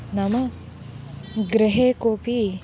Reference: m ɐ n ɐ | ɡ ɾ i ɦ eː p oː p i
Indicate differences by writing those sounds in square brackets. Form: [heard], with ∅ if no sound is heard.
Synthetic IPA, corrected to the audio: [n] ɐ [m] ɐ | ɡ ɾ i ɦ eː [k] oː p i